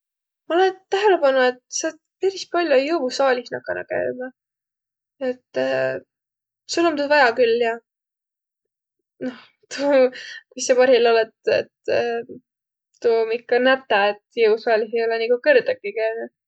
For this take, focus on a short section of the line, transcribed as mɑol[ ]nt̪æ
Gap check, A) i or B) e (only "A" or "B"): B